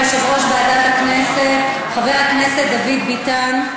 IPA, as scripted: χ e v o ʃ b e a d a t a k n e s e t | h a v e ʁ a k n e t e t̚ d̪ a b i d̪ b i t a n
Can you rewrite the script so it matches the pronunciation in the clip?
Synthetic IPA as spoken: ʃ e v o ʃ b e a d a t a k n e s e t | χ a v e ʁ a k n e s e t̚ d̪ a v i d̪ b i t a n